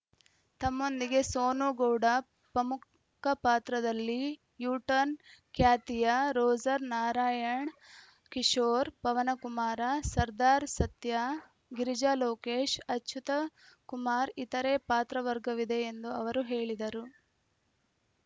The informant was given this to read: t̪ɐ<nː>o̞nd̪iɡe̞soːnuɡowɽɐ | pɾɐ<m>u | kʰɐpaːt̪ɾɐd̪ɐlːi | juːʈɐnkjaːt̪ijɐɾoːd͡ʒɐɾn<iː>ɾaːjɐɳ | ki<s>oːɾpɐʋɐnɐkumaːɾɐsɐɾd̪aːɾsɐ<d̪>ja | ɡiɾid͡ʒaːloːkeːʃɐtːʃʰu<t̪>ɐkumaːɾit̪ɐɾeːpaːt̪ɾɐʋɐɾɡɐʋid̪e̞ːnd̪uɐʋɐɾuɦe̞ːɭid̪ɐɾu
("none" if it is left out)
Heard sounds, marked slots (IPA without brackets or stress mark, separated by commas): mː, m, aː, ʂ, t̪, t̪